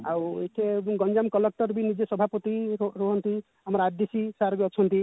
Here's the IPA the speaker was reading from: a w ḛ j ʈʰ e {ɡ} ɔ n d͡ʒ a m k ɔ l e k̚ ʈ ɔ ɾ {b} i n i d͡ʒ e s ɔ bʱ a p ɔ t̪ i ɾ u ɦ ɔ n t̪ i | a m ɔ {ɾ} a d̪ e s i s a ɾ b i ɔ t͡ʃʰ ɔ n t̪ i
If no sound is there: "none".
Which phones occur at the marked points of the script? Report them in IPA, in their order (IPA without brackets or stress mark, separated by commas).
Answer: ɡ, b, ɾ